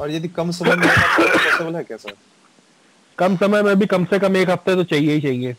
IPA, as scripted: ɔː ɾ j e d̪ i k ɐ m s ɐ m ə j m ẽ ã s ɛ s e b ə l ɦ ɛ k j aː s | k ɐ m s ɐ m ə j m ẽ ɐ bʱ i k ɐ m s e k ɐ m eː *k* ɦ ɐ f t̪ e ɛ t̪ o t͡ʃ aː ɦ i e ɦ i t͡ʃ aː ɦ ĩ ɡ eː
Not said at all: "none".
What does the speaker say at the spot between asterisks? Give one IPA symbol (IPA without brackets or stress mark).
k